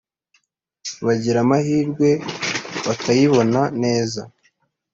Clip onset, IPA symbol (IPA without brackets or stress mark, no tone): β